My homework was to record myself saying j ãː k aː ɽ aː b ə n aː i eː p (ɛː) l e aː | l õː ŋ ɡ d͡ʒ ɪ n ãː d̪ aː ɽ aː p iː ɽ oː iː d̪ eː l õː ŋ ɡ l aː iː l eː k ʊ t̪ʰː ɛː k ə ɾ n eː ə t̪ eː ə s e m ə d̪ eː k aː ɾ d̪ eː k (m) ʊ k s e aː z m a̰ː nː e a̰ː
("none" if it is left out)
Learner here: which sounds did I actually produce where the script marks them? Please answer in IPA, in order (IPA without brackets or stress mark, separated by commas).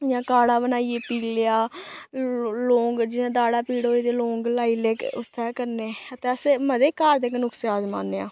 iː, n